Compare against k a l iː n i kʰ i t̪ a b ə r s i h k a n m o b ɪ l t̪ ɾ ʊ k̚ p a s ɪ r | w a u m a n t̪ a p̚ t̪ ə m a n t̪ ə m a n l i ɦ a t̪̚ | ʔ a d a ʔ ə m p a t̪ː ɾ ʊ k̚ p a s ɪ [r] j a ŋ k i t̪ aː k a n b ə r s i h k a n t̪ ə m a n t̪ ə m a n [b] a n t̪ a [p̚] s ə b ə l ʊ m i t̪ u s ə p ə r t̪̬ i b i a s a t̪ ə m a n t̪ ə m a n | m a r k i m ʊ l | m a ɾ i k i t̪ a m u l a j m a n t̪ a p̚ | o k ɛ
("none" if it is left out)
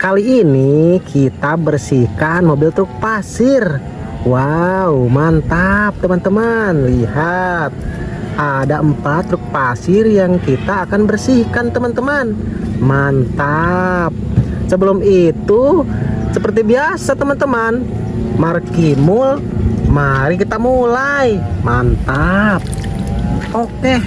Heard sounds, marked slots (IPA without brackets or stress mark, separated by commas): r, m, p̚